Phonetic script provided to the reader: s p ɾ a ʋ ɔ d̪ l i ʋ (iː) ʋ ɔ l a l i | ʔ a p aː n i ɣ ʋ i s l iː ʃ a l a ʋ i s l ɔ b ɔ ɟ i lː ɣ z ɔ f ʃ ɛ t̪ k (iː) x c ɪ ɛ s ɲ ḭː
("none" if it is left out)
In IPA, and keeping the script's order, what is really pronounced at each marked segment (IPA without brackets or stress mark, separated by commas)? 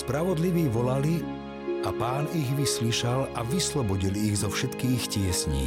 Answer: iː, iː